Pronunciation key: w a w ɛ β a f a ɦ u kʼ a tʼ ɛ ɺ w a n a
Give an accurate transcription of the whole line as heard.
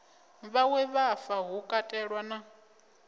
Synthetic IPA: β a w ɛ β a f a ɦ u kʼ a tʼ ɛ ɺ w a n a